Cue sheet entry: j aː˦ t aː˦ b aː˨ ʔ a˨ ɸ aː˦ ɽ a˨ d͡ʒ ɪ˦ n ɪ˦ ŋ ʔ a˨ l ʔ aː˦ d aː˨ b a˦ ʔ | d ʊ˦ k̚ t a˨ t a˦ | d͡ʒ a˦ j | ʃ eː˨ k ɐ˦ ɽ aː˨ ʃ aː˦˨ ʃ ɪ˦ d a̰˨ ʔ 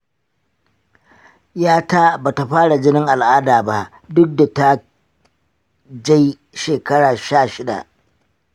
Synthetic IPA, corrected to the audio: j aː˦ t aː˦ b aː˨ t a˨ ɸ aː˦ ɽ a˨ d͡ʒ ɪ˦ n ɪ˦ ŋ ʔ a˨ l ʔ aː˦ d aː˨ b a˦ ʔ | d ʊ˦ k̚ d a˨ t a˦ | d͡ʒ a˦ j | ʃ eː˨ k ɐ˦ ɽ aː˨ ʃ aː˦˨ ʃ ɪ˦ d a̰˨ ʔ